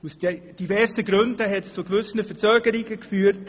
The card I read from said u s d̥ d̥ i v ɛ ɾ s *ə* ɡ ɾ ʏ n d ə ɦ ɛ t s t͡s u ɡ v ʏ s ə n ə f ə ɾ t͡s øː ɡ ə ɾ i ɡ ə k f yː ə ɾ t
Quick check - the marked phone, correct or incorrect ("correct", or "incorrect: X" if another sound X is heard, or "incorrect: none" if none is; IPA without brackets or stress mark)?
correct